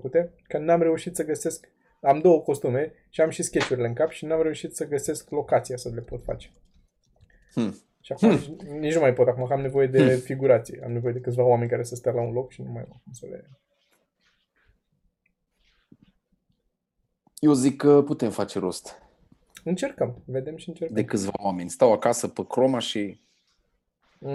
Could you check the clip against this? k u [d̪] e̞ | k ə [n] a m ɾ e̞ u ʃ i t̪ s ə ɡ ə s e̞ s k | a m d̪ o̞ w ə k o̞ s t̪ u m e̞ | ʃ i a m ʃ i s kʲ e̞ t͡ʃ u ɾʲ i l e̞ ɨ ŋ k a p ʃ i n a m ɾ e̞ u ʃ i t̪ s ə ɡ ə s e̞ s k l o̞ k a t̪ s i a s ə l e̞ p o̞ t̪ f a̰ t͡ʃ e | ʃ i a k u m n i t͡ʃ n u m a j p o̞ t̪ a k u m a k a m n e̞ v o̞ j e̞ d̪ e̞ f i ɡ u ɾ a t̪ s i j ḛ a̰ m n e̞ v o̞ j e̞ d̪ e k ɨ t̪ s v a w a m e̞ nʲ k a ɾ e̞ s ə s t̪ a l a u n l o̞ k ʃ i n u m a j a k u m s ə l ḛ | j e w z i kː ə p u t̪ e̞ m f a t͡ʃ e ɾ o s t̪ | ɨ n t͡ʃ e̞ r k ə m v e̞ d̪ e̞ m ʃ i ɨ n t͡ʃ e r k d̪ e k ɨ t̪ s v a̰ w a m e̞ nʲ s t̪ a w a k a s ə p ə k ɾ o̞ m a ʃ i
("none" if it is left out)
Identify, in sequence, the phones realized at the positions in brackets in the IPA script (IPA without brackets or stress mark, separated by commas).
t̪, n